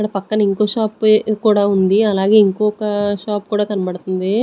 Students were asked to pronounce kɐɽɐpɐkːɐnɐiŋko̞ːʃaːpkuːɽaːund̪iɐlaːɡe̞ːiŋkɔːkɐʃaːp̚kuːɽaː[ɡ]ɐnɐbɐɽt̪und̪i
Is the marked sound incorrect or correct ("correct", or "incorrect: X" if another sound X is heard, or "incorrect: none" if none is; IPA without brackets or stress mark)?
incorrect: k